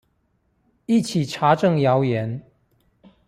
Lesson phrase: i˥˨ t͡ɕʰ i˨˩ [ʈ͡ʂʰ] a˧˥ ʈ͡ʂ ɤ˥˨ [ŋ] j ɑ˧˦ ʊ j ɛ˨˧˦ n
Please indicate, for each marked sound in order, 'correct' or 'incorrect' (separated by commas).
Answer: correct, correct